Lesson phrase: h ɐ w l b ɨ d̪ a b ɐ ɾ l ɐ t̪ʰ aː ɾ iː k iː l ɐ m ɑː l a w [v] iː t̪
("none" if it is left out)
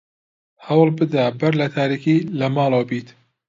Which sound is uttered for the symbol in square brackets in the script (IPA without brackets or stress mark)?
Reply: b